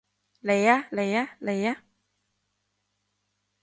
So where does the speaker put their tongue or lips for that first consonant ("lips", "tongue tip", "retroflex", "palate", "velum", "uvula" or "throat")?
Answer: tongue tip